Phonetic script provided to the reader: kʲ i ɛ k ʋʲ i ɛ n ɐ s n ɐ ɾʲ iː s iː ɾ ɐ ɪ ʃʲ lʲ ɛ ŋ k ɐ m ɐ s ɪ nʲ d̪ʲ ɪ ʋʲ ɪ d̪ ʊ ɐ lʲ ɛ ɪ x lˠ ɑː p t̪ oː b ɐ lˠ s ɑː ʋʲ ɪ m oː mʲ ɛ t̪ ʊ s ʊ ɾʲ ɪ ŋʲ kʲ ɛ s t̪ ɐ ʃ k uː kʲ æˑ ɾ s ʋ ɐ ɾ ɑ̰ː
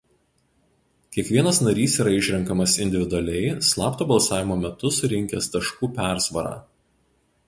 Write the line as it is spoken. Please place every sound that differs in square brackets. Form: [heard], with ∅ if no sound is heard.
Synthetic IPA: kʲ i ɛ k ʋʲ i ɛ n ɐ s n ɐ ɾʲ iː s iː ɾ ɐ ɪ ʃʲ [ɾʲ] ɛ ŋ k ɐ m ɐ s ɪ nʲ d̪ʲ ɪ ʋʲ ɪ d̪ ʊ ɐ lʲ ɛ ɪ [s] lˠ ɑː p t̪ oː b ɐ lˠ s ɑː ʋʲ ɪ m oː mʲ ɛ t̪ ʊ s ʊ ɾʲ ɪ ŋʲ kʲ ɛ s t̪ ɐ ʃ k uː [pʲ] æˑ ɾ s ʋ ɐ ɾ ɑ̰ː